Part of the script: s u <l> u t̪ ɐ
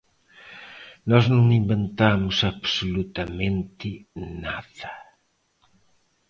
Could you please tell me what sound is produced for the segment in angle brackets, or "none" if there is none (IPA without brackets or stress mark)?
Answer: l